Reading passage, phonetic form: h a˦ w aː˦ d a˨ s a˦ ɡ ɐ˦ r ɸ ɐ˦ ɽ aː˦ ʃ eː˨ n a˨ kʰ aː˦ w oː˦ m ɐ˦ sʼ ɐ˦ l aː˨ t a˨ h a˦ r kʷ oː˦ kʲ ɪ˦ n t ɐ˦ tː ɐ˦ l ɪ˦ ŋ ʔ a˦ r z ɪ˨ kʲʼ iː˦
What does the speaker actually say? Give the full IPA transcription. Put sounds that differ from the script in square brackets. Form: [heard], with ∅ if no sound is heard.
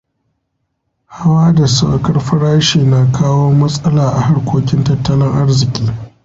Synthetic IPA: h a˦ w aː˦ d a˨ s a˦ [k] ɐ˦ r ɸ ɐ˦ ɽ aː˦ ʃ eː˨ n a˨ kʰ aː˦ w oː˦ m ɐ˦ sʼ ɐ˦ l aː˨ [ʔ] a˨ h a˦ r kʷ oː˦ kʲ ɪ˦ n t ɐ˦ tː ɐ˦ l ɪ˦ ŋ ʔ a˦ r z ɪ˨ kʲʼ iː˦